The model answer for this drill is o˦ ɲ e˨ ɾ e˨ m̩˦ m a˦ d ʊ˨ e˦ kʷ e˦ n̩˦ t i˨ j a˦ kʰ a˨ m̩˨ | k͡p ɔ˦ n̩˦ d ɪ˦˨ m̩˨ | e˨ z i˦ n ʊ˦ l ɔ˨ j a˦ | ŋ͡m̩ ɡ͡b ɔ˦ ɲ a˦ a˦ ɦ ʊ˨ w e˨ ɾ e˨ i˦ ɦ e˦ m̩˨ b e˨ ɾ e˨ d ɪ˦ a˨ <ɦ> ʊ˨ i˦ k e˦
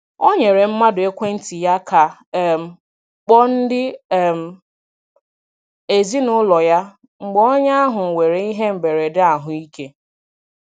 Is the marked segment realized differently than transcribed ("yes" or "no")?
no